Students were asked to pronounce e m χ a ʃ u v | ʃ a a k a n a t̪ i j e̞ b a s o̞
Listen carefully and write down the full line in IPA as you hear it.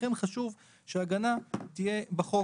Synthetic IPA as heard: e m χ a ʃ u v | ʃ e a ɡ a n a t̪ i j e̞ b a χ o̞